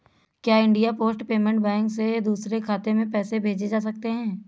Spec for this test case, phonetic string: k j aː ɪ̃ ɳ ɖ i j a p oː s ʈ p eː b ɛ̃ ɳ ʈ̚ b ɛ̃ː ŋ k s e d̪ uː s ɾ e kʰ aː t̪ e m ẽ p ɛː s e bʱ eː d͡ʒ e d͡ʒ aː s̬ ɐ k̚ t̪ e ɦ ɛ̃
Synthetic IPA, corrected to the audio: k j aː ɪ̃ ɳ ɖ i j a p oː s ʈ p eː m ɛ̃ ɳ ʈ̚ b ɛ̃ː ŋ k s e d̪ uː s ɾ e kʰ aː t̪ e m ẽ p ɛː s e bʱ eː d͡ʒ e d͡ʒ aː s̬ ɐ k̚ t̪ e ɦ ɛ̃ː